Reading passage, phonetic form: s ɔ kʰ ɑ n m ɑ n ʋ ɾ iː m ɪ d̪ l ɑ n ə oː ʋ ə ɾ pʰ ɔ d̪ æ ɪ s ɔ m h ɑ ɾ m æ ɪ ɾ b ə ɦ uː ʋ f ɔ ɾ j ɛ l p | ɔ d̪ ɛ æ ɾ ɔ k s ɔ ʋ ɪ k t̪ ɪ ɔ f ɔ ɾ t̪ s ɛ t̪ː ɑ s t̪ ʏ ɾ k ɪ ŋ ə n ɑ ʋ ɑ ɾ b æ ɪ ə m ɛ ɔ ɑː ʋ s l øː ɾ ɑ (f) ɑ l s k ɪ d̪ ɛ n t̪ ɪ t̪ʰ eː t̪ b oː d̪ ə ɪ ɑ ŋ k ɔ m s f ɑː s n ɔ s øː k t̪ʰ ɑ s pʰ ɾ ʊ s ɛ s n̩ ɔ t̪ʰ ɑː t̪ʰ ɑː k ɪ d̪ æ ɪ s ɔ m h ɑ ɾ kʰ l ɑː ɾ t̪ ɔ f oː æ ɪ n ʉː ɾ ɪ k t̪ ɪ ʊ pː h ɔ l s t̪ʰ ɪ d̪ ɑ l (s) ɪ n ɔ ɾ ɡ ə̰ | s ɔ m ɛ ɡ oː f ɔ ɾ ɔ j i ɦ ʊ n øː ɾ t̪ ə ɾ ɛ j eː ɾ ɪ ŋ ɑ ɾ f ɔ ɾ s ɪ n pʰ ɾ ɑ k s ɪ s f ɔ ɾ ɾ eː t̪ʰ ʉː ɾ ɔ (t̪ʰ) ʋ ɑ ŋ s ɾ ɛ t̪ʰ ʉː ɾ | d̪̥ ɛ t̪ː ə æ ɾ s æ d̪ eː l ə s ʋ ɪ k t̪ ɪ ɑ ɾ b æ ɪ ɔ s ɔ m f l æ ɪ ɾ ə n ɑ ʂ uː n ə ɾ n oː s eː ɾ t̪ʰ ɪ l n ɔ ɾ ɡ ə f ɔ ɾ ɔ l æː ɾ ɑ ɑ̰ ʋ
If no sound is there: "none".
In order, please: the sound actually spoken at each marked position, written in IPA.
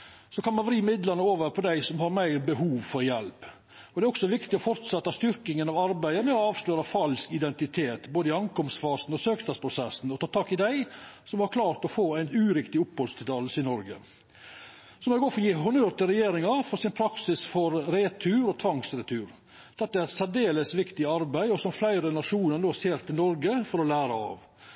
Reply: f, s, t̪ʰ

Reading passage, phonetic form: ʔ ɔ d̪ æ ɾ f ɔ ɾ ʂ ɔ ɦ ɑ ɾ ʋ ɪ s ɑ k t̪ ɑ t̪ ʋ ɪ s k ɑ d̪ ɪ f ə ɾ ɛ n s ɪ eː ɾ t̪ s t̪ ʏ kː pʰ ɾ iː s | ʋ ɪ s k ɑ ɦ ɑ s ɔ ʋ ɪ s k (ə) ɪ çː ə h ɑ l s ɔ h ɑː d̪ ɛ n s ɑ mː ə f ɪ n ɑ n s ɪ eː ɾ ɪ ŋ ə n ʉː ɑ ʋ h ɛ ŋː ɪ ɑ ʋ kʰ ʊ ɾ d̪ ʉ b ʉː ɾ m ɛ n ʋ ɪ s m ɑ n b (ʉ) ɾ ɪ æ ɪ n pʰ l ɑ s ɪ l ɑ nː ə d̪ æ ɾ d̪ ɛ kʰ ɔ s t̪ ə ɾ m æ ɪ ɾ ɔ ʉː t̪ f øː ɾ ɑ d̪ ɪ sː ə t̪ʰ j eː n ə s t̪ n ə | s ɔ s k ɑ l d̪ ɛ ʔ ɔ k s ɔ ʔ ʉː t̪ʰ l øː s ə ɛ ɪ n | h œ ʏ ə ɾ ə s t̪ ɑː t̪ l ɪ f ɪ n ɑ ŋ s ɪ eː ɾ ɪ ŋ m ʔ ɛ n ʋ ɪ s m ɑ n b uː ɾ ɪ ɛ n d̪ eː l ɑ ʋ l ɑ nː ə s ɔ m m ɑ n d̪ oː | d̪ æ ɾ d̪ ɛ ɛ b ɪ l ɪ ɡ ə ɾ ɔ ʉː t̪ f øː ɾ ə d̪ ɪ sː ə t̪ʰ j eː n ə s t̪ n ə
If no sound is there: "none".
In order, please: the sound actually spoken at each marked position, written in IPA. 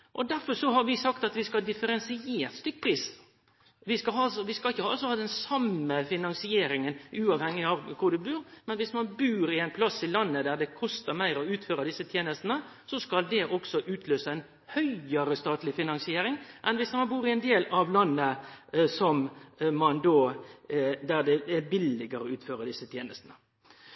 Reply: ɑ, ʉː

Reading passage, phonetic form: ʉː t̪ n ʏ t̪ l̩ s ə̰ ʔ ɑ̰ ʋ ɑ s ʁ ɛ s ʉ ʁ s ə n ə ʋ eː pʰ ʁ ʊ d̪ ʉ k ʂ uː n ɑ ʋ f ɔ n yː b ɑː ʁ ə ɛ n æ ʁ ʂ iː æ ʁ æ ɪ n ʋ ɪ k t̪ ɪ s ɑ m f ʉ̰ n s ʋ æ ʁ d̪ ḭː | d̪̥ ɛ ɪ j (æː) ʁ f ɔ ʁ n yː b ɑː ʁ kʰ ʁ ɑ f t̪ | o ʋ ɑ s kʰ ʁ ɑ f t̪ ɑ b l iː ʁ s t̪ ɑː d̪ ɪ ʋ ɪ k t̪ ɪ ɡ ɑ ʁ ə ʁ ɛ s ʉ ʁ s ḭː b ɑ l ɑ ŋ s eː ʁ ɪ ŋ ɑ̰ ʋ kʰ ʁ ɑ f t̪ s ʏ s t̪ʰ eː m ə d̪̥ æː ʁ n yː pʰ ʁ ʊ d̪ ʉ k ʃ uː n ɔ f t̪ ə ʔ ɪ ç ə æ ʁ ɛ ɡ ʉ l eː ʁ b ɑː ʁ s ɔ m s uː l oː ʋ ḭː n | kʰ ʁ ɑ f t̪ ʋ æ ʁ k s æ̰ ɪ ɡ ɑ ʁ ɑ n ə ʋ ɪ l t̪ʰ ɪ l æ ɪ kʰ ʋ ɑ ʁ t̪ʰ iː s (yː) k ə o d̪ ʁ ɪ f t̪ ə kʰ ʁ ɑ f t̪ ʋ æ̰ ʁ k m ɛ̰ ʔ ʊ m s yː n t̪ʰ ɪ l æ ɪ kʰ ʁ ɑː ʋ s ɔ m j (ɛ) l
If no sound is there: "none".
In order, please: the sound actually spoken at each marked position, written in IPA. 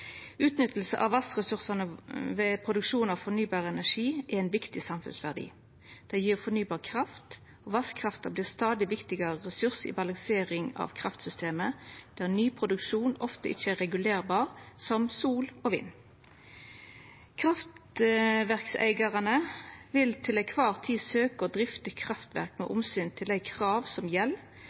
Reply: iː, øː, ɛ

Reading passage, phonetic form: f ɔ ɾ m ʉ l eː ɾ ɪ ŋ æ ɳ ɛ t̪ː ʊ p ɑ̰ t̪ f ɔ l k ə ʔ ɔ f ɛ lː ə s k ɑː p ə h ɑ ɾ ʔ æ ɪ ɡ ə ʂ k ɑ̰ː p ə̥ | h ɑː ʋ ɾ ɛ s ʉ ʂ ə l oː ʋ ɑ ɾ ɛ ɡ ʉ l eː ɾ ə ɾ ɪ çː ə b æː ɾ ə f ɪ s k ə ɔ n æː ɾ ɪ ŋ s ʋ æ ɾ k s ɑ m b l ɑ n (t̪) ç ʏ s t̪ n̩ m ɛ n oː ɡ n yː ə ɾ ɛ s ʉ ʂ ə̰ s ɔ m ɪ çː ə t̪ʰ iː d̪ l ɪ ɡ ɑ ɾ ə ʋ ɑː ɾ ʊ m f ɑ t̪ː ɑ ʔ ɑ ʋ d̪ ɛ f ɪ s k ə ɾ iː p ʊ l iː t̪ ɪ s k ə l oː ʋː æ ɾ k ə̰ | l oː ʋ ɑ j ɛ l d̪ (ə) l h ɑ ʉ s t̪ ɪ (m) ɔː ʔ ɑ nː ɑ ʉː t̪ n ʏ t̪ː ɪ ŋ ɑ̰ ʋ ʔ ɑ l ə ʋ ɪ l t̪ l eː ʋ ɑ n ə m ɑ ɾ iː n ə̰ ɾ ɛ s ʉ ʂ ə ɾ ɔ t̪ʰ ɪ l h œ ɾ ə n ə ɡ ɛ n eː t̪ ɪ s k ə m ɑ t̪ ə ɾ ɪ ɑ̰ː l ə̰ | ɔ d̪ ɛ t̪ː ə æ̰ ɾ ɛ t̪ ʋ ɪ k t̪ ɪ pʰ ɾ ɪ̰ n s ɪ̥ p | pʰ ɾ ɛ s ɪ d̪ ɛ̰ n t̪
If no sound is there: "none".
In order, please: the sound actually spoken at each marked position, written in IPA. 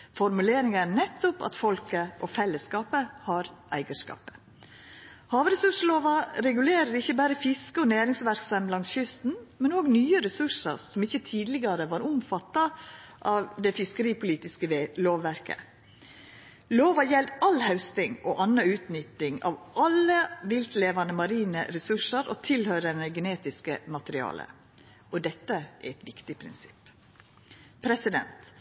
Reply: t̪, ɑ, ŋ

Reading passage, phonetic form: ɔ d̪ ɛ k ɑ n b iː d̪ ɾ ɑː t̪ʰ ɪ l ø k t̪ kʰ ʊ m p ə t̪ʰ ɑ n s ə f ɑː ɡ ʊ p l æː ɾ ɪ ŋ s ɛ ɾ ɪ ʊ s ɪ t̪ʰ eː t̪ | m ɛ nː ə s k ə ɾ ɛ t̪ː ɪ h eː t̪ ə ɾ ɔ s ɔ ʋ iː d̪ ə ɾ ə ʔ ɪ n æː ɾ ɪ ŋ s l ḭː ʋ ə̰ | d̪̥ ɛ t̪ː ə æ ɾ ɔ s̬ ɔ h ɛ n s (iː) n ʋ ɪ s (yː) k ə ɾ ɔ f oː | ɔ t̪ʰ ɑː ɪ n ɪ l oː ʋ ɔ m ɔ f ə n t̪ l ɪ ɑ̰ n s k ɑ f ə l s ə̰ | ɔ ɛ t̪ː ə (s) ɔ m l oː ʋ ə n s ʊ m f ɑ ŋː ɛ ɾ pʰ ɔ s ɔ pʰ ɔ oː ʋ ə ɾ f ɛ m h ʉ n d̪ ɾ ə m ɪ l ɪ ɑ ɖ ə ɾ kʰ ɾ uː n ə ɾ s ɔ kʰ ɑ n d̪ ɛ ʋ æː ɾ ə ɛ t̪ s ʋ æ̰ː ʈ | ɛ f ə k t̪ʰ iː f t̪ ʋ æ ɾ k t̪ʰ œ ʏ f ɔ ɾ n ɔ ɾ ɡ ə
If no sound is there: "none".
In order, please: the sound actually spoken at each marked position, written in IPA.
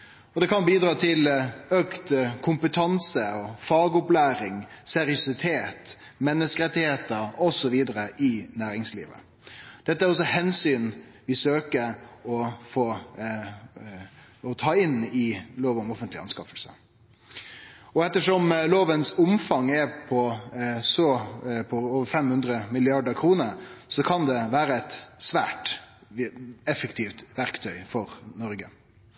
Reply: yː, øː, ʂ

